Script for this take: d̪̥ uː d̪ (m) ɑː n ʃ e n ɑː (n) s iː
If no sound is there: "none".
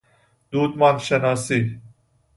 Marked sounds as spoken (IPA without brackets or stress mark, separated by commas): m, none